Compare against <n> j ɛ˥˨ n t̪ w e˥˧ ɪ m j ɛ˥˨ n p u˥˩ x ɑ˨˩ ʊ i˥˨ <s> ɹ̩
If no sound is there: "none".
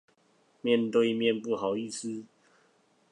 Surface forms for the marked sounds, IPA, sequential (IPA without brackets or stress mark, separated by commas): m, s